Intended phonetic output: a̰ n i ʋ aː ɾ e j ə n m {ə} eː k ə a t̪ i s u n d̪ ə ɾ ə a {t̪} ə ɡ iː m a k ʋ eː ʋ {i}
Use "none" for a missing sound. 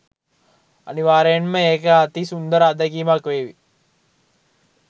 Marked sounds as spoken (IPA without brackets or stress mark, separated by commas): ə, d̪, i